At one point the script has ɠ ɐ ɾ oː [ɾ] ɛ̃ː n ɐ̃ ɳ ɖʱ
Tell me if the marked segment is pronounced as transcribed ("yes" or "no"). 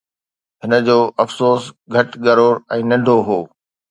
yes